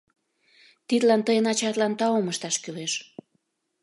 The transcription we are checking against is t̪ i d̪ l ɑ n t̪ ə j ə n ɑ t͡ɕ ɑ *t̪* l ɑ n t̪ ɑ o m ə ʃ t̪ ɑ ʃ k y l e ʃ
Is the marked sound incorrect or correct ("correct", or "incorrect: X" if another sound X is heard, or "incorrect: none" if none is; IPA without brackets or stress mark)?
correct